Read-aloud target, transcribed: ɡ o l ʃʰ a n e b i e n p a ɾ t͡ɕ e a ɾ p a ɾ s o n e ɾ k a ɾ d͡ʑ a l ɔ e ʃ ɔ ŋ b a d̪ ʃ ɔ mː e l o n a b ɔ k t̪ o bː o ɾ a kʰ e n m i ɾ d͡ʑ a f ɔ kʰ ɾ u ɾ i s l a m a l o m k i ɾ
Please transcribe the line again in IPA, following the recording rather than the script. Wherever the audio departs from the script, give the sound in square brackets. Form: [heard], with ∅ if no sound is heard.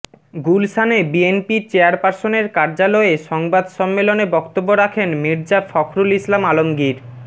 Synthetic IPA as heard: ɡ [u] l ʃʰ a n e b i e n p [i] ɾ t͡ɕ e a ɾ p a ɾ s o n e ɾ k a ɾ d͡ʑ a l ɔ e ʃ ɔ ŋ b a d̪ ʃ ɔ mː e l o n [e] b ɔ k t̪ o bː o ɾ a kʰ e n m i ɾ d͡ʑ a f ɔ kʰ ɾ u [l] i s l a m a l o m [ɡ] i ɾ